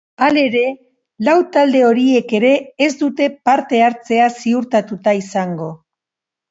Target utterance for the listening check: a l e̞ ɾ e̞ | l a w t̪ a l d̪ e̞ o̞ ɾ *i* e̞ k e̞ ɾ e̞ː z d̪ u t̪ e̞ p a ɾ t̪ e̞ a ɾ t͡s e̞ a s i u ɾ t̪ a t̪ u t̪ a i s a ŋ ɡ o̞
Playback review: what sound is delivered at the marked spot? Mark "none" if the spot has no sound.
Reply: i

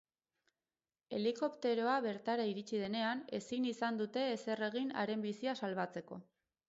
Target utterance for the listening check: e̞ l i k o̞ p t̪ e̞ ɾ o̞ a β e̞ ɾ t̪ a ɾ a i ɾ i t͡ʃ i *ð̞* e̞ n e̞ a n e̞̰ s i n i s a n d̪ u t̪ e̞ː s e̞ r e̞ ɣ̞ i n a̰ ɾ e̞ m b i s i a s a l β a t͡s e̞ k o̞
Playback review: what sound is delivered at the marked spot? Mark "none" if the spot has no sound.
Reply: ð̞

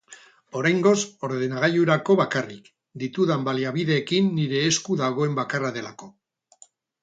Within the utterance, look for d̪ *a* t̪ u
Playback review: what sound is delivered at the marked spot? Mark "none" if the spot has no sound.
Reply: i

